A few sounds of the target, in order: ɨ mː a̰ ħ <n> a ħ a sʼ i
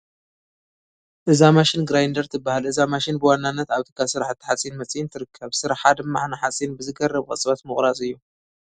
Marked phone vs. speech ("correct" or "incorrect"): correct